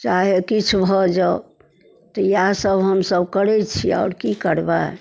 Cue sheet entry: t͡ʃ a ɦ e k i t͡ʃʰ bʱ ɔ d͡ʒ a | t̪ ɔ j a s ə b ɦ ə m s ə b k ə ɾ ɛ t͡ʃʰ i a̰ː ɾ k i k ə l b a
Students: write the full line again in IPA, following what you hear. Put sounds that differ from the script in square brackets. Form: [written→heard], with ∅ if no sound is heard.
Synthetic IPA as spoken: t͡ʃ a ɦ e k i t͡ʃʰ bʱ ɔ d͡ʒ a | t̪ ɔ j a s ə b ɦ ə m s ə b k ə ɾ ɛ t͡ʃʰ i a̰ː ɾ k i k ə [l→ɾ] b a